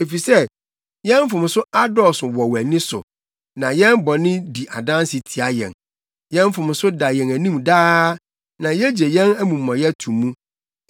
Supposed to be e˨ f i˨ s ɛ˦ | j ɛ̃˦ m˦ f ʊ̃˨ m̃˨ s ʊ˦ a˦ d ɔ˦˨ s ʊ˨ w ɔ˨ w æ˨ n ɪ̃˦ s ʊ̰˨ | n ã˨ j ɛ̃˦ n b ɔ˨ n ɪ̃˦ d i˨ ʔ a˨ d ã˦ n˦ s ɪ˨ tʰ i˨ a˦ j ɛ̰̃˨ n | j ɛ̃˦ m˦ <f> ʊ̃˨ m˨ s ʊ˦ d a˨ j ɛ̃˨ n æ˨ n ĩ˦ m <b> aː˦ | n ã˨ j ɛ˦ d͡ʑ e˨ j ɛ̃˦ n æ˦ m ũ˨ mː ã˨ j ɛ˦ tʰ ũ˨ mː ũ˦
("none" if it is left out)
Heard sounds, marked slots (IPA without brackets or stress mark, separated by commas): f, d